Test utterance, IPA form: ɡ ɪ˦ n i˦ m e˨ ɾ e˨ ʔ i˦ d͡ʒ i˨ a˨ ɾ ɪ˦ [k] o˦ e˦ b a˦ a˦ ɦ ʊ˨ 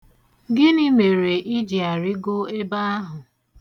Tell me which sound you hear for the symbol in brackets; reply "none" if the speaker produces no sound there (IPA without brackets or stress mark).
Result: ɡ